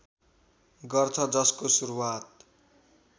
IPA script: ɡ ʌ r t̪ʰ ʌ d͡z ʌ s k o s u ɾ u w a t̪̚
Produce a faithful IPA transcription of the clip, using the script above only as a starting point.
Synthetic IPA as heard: ɡ ʌ r t̪ʰ ʌ d͡z ʌ s k o s u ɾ u w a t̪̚